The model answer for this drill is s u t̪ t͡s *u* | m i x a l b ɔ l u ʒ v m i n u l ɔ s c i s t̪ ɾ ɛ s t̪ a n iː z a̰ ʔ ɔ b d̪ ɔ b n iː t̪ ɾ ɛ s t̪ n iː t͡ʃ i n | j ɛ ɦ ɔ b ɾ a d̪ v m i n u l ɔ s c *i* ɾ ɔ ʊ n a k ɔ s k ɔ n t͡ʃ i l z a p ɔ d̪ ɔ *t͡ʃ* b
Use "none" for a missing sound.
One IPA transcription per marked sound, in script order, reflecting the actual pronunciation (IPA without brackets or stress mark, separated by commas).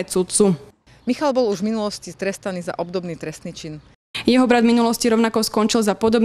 u, i, none